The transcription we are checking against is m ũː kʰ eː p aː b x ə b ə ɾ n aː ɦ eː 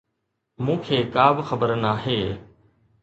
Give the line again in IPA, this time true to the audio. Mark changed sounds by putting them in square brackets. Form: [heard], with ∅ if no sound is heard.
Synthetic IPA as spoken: m ũː kʰ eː [k] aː b x ə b ə ɾ n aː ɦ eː